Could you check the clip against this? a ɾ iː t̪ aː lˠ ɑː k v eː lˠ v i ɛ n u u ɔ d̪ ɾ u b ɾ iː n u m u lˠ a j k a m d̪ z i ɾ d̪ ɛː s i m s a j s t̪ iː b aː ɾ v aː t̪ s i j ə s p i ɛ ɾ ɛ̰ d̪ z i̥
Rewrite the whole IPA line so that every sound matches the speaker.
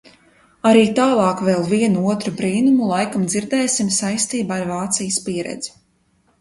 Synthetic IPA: a ɾ iː t̪ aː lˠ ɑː k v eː lˠ v i ɛ n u u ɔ t̪ ɾ u b ɾ iː n u m u lˠ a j k a m d̪ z i ɾ d̪ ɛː s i m s a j s t̪ iː b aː ɾ v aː t̪ s i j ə s p i ɛ ɾ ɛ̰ d̪ z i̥

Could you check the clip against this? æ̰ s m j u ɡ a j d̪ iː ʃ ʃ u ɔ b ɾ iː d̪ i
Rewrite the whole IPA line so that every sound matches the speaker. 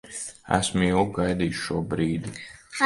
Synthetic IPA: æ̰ s m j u ɡ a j d̪ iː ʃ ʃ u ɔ b ɾ iː d̪ i

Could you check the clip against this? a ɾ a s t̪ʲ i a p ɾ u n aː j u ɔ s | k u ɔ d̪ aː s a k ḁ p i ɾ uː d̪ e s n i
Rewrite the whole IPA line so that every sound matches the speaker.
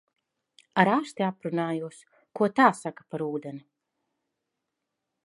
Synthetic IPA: a ɾ a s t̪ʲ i a p ɾ u n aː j u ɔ s | k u ɔ t̪ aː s a k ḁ p a ɾ uː d̪ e n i

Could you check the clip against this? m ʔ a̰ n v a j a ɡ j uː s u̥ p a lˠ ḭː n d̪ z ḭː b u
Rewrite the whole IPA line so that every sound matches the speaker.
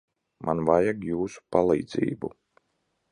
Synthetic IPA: m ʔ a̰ n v a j a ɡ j uː s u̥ p a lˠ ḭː d̪ z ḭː b u

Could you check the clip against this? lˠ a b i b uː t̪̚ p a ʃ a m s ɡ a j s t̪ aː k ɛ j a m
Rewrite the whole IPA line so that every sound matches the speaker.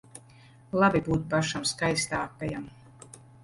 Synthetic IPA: lˠ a b i b uː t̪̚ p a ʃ a m s k a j s t̪ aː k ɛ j a m

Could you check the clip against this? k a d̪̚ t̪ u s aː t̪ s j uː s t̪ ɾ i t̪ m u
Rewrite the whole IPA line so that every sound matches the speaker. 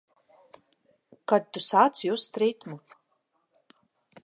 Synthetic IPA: k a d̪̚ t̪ u s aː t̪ s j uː s t̪ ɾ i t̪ m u

